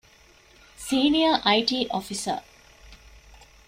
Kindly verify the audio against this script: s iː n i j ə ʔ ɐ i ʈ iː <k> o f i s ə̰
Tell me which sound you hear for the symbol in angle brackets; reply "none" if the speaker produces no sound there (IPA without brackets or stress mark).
ʔ